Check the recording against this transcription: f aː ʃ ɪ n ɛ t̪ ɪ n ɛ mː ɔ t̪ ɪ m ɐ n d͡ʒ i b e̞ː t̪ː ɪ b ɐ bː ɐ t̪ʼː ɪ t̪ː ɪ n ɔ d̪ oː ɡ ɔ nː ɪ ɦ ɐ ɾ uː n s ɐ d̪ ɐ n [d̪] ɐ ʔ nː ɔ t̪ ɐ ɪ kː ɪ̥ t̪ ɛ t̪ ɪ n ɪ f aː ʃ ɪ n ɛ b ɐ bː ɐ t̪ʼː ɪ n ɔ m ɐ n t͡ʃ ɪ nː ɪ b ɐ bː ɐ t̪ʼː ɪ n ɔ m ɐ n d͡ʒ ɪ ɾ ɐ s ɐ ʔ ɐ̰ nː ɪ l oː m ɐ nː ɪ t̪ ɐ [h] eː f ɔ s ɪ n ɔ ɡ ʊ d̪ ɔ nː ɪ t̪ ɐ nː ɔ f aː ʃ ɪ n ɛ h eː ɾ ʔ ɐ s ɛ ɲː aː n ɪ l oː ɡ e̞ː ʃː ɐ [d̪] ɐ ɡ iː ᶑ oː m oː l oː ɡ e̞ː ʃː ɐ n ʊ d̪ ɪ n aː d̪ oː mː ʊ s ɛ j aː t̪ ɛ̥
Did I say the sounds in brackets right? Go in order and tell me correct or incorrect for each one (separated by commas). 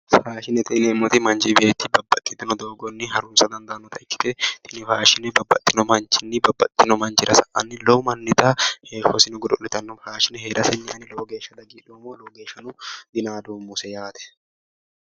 correct, correct, correct